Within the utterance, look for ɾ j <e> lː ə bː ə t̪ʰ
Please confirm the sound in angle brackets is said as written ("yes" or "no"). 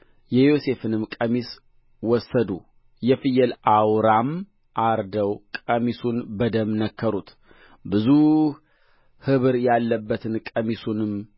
no